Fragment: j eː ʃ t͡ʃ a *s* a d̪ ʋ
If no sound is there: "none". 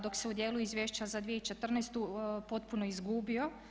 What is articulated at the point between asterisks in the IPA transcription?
z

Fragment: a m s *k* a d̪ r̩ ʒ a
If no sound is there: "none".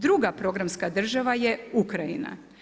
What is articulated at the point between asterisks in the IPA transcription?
k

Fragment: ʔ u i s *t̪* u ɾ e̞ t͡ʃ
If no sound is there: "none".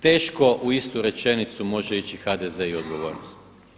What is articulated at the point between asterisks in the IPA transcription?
t̪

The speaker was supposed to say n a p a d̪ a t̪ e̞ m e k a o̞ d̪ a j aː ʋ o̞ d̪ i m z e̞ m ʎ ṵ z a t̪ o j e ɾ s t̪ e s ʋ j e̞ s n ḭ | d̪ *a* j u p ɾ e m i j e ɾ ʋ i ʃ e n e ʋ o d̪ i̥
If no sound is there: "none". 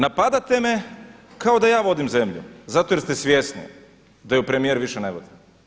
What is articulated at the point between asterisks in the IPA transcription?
a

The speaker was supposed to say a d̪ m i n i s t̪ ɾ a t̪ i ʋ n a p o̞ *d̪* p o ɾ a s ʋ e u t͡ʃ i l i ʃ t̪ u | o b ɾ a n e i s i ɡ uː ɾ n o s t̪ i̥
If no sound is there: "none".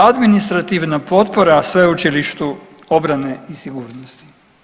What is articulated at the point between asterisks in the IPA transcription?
t̪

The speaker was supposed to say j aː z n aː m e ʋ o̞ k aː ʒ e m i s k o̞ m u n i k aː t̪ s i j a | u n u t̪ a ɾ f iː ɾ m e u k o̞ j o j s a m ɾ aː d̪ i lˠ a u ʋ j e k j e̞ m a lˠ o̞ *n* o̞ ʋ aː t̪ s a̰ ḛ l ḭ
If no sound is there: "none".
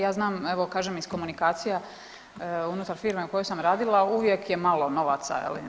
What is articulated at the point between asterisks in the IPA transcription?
n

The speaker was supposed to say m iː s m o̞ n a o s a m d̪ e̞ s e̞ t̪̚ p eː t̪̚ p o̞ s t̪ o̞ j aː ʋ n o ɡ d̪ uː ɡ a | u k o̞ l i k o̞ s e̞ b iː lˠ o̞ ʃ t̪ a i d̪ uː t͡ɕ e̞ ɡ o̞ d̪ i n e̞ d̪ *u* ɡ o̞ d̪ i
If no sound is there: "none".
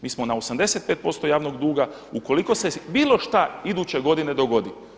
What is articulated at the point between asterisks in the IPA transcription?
o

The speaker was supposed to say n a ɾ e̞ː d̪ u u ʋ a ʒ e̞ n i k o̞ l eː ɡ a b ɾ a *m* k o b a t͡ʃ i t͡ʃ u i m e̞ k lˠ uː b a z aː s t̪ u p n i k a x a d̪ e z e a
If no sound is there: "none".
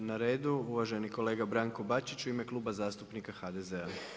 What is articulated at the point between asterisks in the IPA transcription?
ŋ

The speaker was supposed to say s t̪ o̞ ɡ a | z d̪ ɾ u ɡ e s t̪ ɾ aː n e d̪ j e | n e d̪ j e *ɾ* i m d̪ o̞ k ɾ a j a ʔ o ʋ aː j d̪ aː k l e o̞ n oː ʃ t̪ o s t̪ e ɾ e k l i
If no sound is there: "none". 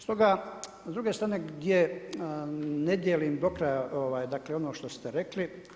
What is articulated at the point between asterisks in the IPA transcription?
l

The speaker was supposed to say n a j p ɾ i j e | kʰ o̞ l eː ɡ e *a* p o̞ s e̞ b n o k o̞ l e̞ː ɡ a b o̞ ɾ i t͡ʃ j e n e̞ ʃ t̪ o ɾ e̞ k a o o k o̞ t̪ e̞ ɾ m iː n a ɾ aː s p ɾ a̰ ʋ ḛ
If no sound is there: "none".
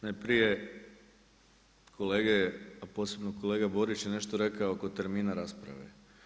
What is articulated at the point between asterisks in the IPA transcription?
a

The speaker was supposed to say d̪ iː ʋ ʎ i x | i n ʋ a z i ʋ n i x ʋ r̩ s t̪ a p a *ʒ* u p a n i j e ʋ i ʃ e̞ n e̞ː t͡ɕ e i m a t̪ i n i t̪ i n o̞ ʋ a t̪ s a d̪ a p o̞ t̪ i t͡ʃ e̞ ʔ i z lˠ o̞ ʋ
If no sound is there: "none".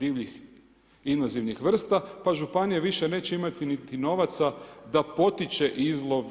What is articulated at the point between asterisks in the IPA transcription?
ʒ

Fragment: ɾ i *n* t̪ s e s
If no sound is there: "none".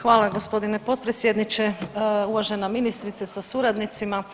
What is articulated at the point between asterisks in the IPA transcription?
none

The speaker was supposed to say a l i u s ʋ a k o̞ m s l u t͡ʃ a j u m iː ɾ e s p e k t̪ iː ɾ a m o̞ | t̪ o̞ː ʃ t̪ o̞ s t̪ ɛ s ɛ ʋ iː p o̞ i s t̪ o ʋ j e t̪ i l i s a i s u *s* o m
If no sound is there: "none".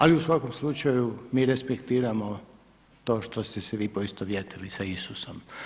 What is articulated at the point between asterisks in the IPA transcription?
s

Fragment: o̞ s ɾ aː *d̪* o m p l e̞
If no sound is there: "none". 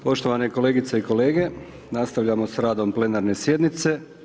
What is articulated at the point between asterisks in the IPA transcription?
d̪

